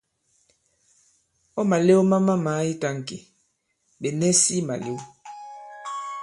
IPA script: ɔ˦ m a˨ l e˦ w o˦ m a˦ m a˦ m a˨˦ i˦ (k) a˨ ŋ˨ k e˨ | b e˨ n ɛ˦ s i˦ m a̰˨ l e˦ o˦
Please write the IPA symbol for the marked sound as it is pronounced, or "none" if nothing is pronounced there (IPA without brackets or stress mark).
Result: t